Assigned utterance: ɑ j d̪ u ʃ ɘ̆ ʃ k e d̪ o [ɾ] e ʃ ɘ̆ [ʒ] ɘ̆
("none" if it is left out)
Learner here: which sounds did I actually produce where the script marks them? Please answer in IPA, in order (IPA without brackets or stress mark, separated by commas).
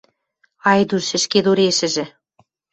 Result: ɾ, ʒ